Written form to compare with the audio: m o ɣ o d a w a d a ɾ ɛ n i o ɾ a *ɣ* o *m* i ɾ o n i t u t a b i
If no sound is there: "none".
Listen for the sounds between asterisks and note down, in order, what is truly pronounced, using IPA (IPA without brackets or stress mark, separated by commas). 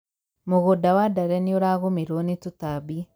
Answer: ɣ, m